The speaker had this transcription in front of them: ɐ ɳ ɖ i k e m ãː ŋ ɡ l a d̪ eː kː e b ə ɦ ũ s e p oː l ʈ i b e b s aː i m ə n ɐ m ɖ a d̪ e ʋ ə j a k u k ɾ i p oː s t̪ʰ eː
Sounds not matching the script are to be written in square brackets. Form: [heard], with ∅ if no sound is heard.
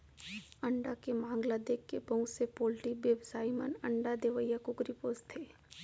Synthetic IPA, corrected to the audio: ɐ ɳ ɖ [a] k e m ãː ŋ ɡ l a d̪ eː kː e b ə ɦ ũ s e p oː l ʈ i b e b s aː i m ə n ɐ [ɳ] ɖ a d̪ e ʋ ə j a k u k ɾ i p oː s t̪ʰ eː